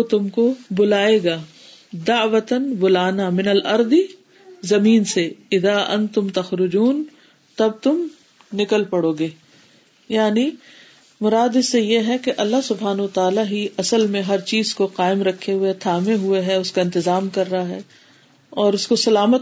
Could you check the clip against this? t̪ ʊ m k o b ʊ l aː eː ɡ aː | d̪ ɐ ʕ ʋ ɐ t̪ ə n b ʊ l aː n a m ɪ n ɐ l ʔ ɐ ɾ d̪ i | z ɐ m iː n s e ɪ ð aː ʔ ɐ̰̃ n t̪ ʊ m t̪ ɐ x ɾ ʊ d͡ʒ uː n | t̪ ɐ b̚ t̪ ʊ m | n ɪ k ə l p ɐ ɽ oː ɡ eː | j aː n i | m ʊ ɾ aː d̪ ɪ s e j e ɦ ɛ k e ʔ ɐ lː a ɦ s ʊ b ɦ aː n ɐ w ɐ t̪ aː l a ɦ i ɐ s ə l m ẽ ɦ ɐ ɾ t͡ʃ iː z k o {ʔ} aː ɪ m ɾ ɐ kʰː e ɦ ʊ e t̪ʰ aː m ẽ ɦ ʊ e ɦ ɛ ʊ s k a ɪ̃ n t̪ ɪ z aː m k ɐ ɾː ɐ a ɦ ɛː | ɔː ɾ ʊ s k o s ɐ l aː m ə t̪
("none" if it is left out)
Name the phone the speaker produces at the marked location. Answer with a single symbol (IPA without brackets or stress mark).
q